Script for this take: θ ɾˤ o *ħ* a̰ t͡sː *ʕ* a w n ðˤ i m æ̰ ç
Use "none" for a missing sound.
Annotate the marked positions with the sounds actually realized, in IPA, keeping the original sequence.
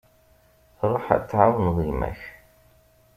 ħ, ʕ

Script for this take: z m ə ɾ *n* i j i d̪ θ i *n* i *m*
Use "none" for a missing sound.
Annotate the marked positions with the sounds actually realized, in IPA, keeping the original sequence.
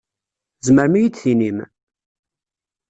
m, n, m

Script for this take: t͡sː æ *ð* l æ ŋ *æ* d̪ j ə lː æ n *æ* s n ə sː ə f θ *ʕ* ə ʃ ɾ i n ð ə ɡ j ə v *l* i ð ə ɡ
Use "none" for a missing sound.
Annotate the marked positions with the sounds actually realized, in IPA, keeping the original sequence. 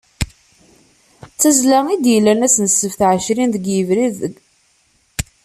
z, i, æ, ʕ, ɾ

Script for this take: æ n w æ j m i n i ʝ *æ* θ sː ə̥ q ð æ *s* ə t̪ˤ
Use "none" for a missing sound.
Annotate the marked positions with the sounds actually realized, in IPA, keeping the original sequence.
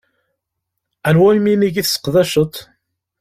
i, ʃ

